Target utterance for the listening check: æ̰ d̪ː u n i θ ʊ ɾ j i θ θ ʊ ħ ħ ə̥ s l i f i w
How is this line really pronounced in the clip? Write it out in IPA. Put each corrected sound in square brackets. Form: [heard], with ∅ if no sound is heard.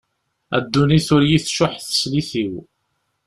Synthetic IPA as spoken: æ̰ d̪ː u n i θ ʊ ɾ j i θ [ʃ] ʊ ħ [θ] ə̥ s l i [θ] i w